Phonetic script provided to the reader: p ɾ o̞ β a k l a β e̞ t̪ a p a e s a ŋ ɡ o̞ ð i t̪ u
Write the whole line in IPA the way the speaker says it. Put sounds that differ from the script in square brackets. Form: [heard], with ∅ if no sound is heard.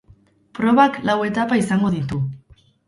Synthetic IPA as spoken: p ɾ o̞ β a k l a [w] e̞ t̪ a p a [i] s a ŋ ɡ o̞ ð i t̪ u